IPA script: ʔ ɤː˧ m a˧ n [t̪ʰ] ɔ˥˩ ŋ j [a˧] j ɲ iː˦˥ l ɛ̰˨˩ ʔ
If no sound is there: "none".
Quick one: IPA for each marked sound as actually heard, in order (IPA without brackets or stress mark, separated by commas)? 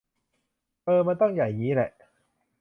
t̪, a˨˩